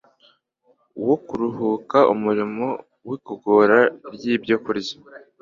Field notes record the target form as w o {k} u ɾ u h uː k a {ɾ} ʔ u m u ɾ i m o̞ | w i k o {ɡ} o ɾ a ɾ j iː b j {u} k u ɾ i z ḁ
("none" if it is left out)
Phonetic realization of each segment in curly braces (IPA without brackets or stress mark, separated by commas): k, none, ɡ, o